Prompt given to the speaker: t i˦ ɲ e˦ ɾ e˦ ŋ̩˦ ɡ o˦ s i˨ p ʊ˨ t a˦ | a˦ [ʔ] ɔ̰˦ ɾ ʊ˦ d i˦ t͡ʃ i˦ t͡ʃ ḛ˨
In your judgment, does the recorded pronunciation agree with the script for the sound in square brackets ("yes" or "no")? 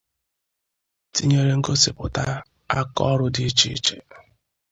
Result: no